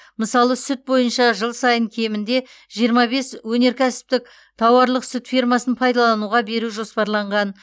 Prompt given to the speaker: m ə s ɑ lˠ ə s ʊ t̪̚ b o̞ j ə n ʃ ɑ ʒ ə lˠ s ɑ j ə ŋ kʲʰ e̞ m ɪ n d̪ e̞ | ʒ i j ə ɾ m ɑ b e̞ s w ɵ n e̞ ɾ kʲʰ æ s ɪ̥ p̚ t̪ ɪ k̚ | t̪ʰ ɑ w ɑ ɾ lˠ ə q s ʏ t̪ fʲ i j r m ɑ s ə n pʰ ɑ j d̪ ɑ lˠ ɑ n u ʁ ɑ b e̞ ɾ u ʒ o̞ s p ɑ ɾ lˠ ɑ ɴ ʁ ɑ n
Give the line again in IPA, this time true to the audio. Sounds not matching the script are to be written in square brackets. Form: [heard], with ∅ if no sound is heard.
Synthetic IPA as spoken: m ə s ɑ lˠ ə s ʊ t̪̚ b o̞ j ə n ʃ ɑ ʒ ə lˠ s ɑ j ə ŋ kʲʰ e̞ m ɪ n d̪ e̞ | ʒ i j ə ɾ m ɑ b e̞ s w ɵ n e̞ ɾ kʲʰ æ s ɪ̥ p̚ t̪ ɪ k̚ | t̪ʰ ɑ w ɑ ɾ lˠ ə q s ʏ t̪ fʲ i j r m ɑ s ə n pʰ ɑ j d̪ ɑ lˠ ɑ n u ʁ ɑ b e̞ ɾ u ʒ o̞ s p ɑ ɾ lˠ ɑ ɴ ʁ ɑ n